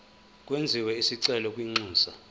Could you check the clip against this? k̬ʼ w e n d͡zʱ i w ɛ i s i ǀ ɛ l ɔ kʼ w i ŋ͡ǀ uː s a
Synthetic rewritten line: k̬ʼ w e n d͡zʱ i w ɛ i s i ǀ ɛ l ɔ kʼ w i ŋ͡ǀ uː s a